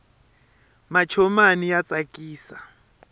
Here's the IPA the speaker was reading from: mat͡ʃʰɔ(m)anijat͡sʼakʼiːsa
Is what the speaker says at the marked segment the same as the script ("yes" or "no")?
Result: yes